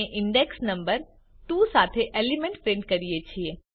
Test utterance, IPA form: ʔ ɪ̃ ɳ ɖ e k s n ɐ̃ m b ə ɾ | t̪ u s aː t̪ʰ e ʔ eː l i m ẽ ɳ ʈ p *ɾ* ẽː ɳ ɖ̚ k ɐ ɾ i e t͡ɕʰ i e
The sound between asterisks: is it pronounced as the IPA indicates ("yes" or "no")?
yes